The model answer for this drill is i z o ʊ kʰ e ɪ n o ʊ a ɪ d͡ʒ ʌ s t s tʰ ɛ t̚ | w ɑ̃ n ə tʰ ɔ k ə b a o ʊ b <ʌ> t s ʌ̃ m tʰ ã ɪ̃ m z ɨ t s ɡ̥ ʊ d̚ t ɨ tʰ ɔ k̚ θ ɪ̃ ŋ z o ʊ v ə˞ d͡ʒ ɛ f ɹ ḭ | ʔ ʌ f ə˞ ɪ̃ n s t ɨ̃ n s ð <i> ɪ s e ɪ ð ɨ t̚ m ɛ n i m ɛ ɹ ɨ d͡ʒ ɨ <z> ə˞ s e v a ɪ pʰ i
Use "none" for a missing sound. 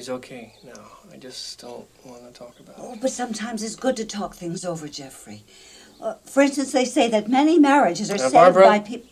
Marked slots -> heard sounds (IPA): ʌ, e, z

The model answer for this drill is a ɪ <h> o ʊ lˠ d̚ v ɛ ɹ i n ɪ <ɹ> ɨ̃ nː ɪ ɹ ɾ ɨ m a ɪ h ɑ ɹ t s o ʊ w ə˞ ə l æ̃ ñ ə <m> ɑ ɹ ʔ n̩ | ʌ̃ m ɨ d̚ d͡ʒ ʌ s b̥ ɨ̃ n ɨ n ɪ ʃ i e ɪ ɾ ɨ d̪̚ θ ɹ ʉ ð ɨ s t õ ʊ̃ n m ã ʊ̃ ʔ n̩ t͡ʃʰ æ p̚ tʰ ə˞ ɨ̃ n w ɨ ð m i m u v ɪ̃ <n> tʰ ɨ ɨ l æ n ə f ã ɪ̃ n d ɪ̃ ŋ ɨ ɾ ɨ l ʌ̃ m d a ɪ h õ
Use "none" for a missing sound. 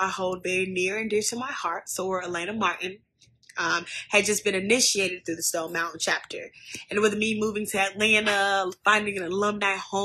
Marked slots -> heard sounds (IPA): h, ɹ, m, ŋ

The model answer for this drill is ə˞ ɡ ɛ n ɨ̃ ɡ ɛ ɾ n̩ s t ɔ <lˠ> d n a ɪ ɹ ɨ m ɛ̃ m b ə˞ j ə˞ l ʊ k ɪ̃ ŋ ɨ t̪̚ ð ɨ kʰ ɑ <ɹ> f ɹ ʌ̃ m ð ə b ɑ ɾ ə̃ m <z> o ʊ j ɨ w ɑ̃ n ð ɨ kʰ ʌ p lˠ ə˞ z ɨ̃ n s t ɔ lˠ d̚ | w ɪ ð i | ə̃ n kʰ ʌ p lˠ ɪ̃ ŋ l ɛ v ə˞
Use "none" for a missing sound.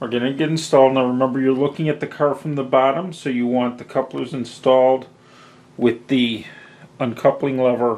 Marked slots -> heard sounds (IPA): lˠ, ɹ, s

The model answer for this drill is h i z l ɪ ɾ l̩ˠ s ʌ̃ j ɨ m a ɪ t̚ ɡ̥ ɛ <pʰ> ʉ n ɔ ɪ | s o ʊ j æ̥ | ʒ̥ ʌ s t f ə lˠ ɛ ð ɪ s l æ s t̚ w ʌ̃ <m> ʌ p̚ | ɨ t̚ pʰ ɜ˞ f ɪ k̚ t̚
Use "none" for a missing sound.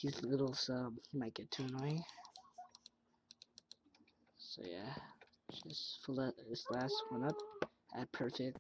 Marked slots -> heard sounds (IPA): tʰ, n

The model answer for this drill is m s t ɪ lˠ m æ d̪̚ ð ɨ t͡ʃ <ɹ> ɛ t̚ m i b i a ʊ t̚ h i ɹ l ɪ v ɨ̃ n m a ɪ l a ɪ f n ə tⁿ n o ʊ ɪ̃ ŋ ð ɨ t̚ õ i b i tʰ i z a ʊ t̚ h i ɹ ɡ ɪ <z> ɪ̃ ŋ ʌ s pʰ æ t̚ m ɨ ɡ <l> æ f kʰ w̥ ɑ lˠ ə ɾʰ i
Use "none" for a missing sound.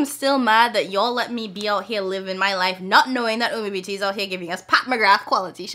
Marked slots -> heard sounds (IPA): l, v, ɹ

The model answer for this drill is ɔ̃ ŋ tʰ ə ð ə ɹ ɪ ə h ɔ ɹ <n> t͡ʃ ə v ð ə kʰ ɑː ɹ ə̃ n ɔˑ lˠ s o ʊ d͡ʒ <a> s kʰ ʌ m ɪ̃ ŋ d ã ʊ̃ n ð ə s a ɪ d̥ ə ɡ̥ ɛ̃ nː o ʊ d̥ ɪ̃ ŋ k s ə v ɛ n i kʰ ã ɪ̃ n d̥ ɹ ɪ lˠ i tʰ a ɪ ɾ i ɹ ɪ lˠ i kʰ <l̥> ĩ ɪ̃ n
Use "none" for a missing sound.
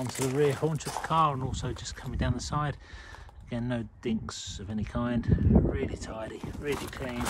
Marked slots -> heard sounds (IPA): n, ʌ, l̥

